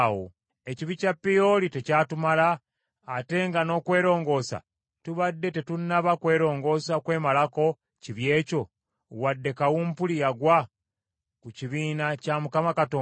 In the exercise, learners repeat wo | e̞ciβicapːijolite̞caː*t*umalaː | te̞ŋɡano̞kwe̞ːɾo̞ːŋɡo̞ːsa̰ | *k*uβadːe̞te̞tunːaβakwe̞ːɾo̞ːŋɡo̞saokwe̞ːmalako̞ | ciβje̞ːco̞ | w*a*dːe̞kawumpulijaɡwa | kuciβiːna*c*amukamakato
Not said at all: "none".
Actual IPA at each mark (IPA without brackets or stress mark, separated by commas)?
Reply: t, t, a, c